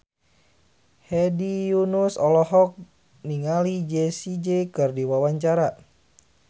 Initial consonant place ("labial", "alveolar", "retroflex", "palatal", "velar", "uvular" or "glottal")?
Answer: glottal